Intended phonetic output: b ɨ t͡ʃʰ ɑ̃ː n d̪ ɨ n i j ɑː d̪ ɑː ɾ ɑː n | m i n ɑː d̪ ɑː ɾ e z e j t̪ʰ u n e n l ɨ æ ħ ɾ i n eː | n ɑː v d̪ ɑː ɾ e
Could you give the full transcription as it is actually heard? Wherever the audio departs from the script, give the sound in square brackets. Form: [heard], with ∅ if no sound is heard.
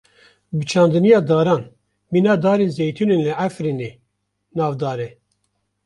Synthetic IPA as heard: b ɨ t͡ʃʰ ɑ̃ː n d̪ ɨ n i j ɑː d̪ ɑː ɾ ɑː n | m i n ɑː d̪ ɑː ɾ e z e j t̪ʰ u n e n l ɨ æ [f] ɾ i n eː | n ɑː v d̪ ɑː ɾ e